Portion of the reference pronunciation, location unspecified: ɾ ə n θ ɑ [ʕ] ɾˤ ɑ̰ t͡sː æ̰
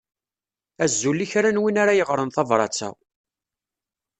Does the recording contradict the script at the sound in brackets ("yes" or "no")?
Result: yes